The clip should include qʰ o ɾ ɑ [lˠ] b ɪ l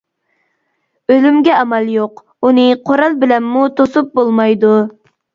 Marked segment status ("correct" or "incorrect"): correct